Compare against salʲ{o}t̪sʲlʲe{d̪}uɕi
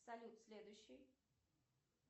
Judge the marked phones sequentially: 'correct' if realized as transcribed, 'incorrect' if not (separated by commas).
incorrect, correct